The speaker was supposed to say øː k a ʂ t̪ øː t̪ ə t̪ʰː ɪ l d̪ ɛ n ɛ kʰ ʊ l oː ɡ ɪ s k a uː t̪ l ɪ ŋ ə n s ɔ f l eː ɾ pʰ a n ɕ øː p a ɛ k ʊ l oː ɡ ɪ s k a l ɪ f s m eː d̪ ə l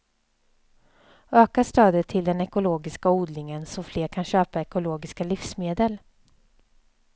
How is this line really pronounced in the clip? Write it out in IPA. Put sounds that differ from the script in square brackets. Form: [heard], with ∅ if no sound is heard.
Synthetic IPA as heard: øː k a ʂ t̪ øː [d̪] ə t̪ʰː ɪ l d̪ ɛ n ɛ [k] ʊ l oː ɡ ɪ s k a uː [d̪] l ɪ ŋ ə n s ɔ f l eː ɾ [kʰ] a n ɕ øː p a ɛ k ʊ l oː ɡ ɪ s k a l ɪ f s m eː d̪ ə l